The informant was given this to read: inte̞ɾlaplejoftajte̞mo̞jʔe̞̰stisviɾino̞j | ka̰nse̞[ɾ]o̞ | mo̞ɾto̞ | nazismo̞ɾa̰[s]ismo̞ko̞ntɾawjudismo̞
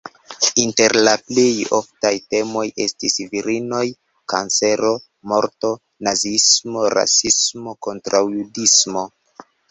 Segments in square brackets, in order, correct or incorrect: correct, correct

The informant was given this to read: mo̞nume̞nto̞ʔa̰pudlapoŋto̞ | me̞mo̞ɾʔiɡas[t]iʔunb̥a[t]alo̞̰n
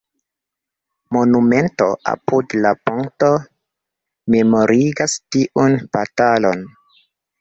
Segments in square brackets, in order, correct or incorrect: correct, correct

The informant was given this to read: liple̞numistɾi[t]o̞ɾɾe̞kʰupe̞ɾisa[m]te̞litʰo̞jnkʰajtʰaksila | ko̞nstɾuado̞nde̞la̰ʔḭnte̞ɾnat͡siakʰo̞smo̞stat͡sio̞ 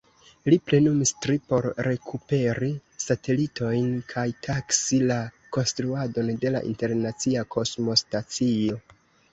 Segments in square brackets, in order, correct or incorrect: incorrect: p, incorrect: none

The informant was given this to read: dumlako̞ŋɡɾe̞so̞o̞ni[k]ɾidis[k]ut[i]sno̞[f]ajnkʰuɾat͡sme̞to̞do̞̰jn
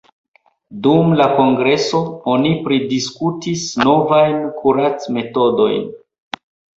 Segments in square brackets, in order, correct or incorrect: incorrect: p, correct, correct, incorrect: v

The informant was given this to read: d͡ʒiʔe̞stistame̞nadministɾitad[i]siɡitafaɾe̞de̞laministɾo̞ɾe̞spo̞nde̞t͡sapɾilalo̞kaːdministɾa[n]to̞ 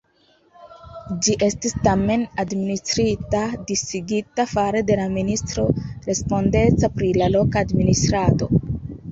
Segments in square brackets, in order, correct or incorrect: correct, incorrect: none

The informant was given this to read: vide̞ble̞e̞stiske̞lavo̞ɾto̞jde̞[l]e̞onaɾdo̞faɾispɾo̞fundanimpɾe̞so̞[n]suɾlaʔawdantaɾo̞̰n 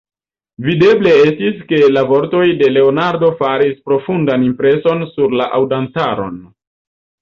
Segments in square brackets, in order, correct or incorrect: correct, correct

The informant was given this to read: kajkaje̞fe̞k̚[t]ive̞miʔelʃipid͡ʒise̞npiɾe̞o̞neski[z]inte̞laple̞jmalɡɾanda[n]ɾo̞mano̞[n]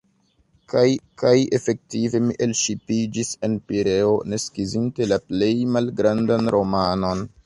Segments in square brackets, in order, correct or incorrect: correct, correct, correct, correct

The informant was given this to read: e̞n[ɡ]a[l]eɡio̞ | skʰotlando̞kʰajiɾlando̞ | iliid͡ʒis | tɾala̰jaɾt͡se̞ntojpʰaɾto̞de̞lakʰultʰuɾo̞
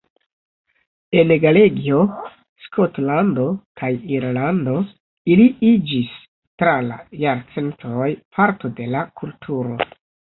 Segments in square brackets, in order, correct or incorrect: correct, correct

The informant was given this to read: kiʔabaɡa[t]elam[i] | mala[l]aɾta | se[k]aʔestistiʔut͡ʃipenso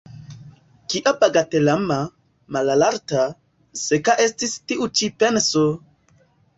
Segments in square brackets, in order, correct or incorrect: correct, incorrect: a, correct, correct

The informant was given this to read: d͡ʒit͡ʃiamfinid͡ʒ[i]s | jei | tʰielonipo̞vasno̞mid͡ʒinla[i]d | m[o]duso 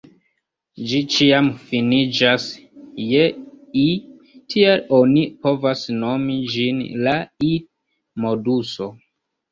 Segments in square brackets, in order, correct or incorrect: incorrect: a, correct, correct

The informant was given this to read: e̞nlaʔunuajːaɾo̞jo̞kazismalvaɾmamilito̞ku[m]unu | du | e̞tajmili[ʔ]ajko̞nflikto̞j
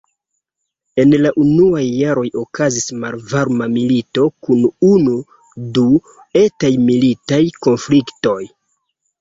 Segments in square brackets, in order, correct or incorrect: incorrect: n, incorrect: t

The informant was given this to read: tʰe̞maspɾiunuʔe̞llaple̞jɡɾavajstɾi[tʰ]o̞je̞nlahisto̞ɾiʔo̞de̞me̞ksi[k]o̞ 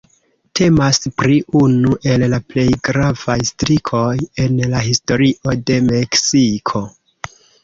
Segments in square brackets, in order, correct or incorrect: incorrect: kʰ, incorrect: kʰ

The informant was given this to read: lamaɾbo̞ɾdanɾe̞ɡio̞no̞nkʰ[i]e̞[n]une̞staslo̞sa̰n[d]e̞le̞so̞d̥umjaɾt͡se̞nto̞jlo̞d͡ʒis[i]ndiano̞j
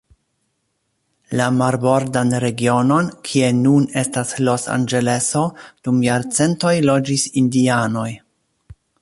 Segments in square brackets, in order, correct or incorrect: correct, correct, incorrect: d͡ʒ, correct

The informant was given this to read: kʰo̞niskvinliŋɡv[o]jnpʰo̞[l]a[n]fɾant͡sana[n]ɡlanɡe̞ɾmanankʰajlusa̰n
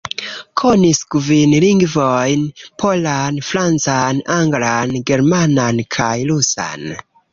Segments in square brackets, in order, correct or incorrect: correct, correct, correct, incorrect: ŋ

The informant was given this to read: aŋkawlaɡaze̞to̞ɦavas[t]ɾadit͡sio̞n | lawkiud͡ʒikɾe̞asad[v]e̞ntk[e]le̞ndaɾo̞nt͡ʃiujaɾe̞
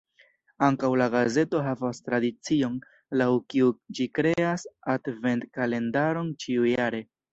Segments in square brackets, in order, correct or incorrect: correct, correct, incorrect: a

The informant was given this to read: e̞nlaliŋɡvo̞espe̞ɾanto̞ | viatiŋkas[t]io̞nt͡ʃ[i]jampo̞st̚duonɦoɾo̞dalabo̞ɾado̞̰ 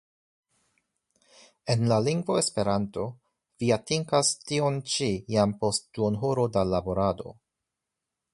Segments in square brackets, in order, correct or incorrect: correct, correct

